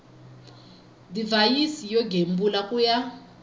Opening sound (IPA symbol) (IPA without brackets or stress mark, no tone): d